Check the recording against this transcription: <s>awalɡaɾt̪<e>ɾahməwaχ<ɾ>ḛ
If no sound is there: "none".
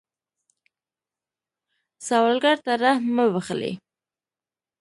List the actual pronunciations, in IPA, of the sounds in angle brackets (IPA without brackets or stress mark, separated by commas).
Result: s, a, l